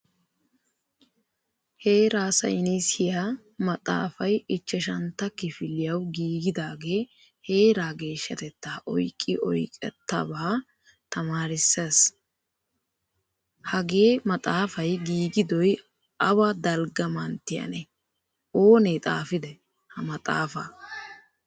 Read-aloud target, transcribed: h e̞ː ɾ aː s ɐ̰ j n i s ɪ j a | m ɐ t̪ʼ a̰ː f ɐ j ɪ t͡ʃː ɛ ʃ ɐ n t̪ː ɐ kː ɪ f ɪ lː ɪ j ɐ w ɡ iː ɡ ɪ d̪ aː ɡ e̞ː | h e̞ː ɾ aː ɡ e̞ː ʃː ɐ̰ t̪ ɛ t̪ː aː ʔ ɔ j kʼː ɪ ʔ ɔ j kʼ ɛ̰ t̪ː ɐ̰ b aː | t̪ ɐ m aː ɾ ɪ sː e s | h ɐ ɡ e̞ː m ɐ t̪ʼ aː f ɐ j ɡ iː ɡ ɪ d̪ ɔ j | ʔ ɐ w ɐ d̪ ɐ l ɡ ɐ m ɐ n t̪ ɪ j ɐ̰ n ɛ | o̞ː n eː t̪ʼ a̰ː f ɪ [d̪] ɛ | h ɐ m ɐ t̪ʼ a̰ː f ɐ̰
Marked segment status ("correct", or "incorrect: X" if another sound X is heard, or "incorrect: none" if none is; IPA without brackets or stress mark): correct